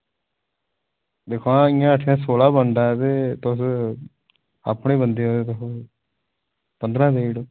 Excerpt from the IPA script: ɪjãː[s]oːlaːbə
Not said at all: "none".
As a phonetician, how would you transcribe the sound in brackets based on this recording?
s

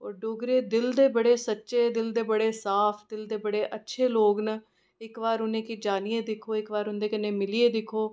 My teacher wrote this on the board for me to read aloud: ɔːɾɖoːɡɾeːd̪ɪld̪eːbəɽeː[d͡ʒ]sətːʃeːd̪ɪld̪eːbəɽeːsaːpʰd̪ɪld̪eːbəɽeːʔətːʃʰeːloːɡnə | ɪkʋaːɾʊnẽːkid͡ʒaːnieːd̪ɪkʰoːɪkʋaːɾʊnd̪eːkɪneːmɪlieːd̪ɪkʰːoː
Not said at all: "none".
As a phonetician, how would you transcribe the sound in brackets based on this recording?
none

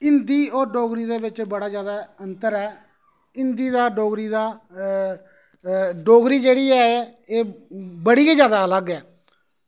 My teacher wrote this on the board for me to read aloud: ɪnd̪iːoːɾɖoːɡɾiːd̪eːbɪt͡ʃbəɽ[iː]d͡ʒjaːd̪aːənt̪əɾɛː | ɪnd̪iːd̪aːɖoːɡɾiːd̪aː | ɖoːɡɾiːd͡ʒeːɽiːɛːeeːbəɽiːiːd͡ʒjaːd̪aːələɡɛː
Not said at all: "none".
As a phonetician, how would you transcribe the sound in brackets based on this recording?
aː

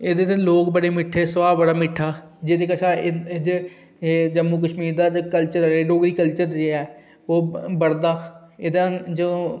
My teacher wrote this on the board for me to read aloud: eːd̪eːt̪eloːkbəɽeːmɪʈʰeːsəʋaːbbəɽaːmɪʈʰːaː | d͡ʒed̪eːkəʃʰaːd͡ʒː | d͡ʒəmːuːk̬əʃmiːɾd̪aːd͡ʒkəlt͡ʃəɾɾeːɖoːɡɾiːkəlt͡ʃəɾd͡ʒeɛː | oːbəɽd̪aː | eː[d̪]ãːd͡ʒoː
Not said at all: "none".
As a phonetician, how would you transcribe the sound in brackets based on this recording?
d̪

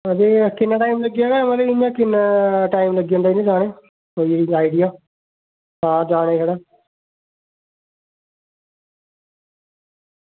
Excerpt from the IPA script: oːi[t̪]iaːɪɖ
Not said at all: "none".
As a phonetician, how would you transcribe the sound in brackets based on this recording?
none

